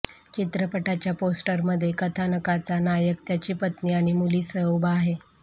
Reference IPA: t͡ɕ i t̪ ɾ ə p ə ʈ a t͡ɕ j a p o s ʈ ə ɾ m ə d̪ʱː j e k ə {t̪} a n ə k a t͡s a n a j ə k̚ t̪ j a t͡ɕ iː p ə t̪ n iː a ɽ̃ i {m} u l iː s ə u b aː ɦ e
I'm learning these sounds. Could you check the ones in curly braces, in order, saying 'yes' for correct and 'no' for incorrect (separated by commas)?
no, yes